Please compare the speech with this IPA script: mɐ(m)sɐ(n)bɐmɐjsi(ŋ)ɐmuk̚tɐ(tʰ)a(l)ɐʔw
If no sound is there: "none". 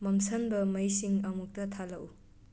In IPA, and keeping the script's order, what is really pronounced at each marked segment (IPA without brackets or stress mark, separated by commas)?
m, n, ŋ, tʰ, l